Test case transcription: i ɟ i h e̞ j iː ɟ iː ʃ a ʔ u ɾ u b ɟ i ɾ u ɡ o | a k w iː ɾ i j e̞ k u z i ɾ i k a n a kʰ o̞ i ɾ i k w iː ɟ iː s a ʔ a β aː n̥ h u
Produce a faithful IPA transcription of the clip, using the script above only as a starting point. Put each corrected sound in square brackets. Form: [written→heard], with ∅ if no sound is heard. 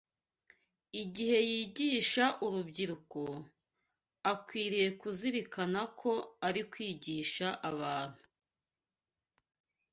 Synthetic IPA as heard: i ɟ i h e̞ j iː ɟ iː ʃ a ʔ u ɾ u b ɟ i ɾ u [ɡ→k] o | a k w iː ɾ i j e̞ k u z i ɾ i k a n a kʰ o̞ [i→a] ɾ i k w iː ɟ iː [s→ʃ] a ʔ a β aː n̥ h u

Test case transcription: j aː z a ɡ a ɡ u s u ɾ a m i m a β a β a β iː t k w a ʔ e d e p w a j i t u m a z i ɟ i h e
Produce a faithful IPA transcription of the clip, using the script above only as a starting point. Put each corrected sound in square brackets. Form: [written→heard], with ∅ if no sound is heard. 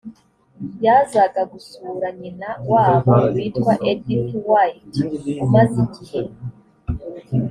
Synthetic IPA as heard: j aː z a ɡ a ɡ u s u ɾ a [m→ɲ] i [m→n] a [β→w] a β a [β→w] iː t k w a ʔ e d [e→i] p w a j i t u m a z i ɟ i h e

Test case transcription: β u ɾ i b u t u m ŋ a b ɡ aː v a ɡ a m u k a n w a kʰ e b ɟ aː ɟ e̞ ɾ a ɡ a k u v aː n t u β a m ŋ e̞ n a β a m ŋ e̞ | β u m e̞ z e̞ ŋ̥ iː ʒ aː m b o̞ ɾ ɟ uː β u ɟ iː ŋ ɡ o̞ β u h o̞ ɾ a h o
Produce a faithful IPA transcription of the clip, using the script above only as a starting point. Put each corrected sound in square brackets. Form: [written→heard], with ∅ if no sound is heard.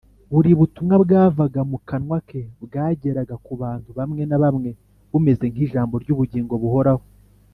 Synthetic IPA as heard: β u ɾ i [b→β] u t u m ŋ a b ɡ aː v a ɡ a m u k a n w a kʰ e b [ɟ→ɡ] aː ɟ e̞ ɾ a ɡ a k u [v→β] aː n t u β a m ŋ e̞ n a β a m ŋ e̞ | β u m e̞ z e̞ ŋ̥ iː ʒ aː m b o̞ ɾ ɟ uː β u ɟ iː ŋ ɡ o̞ β u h o̞ ɾ a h o

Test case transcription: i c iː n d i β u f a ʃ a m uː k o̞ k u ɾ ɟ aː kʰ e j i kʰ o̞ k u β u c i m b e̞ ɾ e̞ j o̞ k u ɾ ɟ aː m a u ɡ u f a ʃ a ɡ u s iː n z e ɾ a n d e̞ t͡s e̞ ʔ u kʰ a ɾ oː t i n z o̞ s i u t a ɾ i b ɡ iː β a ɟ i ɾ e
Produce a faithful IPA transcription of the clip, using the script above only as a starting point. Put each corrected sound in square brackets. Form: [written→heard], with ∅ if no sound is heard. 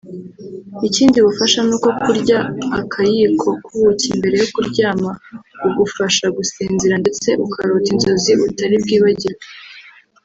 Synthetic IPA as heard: i c iː n d i β u f a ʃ a [m→n] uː k o̞ k u ɾ ɟ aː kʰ [e→a] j i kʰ o̞ k u β u c i m b e̞ ɾ e̞ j o̞ k u ɾ ɟ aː m a u ɡ u f a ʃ a ɡ u s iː n z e ɾ a n d e̞ t͡s e̞ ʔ u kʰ a ɾ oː t i n z o̞ [s→z] i u t a ɾ i b ɡ iː β a ɟ i ɾ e

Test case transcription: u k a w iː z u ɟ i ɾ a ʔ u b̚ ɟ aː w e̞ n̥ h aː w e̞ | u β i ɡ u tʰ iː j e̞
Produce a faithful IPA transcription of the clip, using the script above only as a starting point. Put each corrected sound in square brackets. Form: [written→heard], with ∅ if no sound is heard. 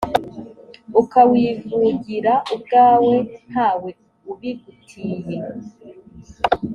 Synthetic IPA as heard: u k a w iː [z→v] u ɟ i ɾ a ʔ u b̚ [ɟ→ɡ] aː w e̞ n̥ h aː w e̞ | u β i ɡ u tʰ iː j e̞

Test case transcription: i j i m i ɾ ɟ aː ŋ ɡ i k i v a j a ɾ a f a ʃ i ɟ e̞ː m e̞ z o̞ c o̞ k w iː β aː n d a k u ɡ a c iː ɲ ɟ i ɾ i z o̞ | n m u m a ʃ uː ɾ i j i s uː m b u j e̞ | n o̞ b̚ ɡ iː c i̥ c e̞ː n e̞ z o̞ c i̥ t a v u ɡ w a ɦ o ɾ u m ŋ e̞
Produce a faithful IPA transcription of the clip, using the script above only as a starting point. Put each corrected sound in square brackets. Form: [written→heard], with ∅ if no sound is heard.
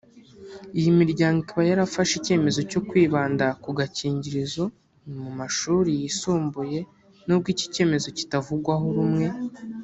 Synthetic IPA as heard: i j i m i ɾ ɟ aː ŋ ɡ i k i [v→β] a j a ɾ a f a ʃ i [ɟ→c] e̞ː m e̞ z o̞ c o̞ k w iː β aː n d a k u ɡ a c iː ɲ ɟ i ɾ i z o̞ | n m u m a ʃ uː ɾ i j i s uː m b u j e̞ | n o̞ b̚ ɡ iː c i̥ c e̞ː [n→m] e̞ z o̞ c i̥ t a v u ɡ w a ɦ o ɾ u m ŋ e̞

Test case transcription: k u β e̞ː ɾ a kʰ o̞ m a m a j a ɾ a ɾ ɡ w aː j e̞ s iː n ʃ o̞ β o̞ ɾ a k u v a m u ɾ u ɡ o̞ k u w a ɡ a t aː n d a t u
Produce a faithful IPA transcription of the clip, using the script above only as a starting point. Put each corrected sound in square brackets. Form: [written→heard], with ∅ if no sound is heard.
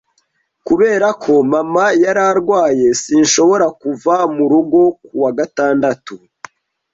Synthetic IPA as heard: k u β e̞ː ɾ a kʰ o̞ m a m a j a ɾ a ɾ ɡ w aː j e̞ s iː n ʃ o̞ β o̞ ɾ a k u v a m u ɾ u ɡ o̞ k u w a ɡ a t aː n d a t u

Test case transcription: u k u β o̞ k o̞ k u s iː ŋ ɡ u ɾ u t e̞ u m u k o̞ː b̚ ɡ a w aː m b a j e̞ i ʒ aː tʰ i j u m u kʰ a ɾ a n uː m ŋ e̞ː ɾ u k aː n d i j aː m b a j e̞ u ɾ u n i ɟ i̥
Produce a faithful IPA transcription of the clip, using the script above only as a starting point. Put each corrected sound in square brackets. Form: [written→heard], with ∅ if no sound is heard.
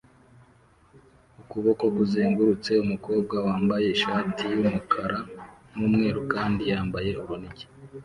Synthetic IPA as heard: u k u β o̞ k o̞ k u [s→z] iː ŋ ɡ u ɾ u [t→t͡s] e̞ u m u k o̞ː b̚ ɡ a w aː m b a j e̞ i [ʒ→ʃ] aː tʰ i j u m u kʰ a ɾ a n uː m ŋ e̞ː ɾ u k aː n d i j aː m b a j e̞ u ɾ u n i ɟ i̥

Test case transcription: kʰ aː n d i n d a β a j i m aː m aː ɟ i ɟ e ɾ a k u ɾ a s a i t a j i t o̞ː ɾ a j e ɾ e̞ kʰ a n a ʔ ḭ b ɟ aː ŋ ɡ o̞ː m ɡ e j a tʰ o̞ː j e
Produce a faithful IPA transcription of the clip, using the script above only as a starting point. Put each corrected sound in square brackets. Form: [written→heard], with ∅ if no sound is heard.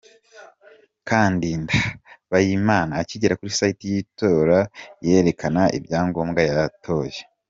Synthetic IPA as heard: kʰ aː n d i n d a β a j i m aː [m→n] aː [ɟ→c] i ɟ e ɾ a k u ɾ [a→i] s a i t [a→i] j i t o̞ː ɾ a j e ɾ e̞ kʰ a n a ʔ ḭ b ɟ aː ŋ ɡ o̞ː m ɡ [e→a] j a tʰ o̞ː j e

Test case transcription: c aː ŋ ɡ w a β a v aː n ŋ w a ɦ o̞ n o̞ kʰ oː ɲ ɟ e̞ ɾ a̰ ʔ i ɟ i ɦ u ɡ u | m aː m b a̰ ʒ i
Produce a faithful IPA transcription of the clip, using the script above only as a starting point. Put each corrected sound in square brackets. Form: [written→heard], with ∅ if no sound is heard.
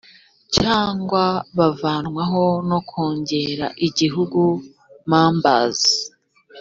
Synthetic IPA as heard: c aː ŋ ɡ w a β a v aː n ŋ w a ɦ o̞ n o̞ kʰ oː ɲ ɟ e̞ ɾ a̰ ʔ i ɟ i ɦ u ɡ u | m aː m b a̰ [ʒ→z] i

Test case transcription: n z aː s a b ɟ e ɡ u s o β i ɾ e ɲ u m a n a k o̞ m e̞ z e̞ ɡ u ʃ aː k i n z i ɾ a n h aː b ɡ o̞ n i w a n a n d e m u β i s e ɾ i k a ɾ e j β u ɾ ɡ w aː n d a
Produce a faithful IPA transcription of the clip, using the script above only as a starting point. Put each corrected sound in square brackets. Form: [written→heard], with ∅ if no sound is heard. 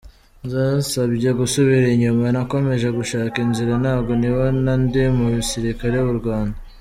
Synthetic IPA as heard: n z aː s a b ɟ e ɡ u s o β i ɾ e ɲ u m a n a k o̞ m e̞ [z→ʒ] e̞ ɡ u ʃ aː k i n z i ɾ a n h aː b ɡ o̞ n i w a n a n d e m u β i s [e→i] ɾ i k a ɾ e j β u ɾ ɡ w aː n d a

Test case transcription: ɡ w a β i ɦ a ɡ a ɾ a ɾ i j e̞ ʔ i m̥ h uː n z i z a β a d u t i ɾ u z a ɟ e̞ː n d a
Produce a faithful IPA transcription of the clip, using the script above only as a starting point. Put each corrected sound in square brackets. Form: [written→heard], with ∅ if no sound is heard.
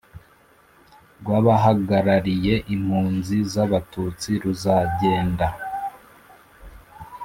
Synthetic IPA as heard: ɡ w a β [i→a] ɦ a ɡ a ɾ a ɾ i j e̞ ʔ i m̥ h uː n z i z a β a [d→t] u [t→t͡s] i ɾ u z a ɟ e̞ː n d a

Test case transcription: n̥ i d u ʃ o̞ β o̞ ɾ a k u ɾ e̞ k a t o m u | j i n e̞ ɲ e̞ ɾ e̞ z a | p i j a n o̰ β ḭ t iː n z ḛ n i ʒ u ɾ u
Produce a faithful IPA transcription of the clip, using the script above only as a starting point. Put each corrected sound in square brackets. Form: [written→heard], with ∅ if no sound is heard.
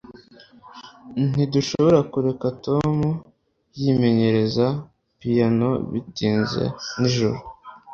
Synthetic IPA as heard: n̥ i d u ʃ o̞ β o̞ ɾ a k u ɾ e̞ k a t o m u | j i [n→m] e̞ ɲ e̞ ɾ e̞ z a | p i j a n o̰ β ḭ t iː n z ḛ n i ʒ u ɾ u

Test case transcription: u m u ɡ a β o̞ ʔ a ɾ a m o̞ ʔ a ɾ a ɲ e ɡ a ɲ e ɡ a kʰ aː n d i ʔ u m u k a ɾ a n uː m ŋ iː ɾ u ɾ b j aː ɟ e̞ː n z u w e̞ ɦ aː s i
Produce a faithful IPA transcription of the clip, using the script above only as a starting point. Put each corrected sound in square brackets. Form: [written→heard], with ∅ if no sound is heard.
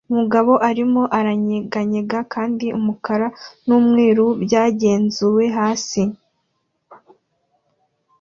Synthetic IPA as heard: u m u ɡ a β o̞ ʔ a ɾ [a→i] m o̞ ʔ a ɾ a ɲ e ɡ a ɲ e ɡ a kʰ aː n d i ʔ u m u k a ɾ a n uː m ŋ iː ɾ u [ɾ→∅] b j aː ɟ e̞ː n z u w e̞ ɦ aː s i

